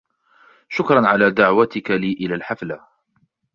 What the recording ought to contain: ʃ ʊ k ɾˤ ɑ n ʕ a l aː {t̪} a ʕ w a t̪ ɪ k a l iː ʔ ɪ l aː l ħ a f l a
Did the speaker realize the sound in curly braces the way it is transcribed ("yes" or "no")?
no